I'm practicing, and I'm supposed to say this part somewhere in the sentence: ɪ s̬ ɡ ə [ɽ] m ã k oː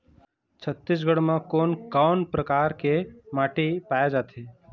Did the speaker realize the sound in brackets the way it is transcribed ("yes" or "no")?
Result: yes